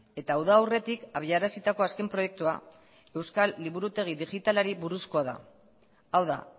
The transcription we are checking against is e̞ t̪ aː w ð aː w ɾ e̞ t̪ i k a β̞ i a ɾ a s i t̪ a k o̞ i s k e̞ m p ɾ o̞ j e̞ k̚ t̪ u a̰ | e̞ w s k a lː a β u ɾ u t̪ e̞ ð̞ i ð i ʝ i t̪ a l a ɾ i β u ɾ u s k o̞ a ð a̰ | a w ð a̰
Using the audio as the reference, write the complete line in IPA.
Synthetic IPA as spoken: e̞ t̪ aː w ð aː w r e̞ t̪ i k a β̞ i a ɾ a s i t̪ a k o̞ a s k e̞ m p ɾ o̞ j e̞ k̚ t̪ u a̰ | e̞ w s k a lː i β u ɾ u t̪ e̞ ɣ̞ i ð i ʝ i t̪ a l a ɾ i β u ɾ u s k o̞ a ð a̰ | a w ð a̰

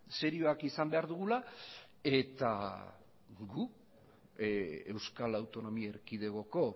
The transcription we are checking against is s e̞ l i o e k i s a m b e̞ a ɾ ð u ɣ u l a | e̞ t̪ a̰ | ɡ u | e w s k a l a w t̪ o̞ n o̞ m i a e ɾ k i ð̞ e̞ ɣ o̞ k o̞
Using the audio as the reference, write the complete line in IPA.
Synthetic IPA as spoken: s e̞ ɾ i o a k i s a m b e̞ a ɾ ð u ɣ u l a | e̞ t̪ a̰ | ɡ u | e w s k a l a w t̪ o̞ n o̞ m i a e ɾ k i ð̞ e̞ ɣ o̞ k o̞

